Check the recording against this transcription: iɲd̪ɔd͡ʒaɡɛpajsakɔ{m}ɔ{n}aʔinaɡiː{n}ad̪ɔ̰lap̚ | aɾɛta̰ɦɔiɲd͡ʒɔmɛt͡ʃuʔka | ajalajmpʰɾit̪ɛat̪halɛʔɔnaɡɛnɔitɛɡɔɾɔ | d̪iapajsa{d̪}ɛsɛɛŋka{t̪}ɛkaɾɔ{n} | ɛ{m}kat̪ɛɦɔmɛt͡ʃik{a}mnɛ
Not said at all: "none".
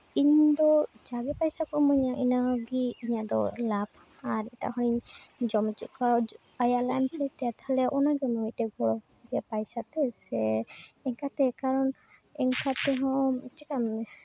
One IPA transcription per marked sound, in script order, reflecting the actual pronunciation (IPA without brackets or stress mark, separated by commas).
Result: m, ɲ, ɲ, t̪, t̪, n, ŋ, a